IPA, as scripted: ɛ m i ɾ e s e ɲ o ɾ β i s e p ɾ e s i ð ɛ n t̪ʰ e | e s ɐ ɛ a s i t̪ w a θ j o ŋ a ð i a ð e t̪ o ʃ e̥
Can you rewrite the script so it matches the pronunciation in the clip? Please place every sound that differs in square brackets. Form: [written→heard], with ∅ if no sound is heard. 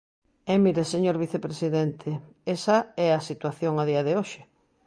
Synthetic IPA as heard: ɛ m i ɾ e s e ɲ o ɾ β i [s→θ] e p ɾ e s i ð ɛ n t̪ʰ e | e s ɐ ɛ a s i t̪ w a θ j o ŋ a ð i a ð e [t̪→∅] o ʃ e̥